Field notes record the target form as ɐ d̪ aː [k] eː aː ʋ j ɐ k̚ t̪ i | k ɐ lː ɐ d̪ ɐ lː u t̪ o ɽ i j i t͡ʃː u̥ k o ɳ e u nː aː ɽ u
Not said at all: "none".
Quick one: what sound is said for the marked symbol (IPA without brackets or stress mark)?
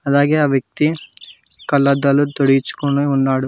ɡ